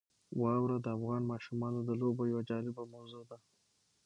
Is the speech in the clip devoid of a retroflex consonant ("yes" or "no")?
yes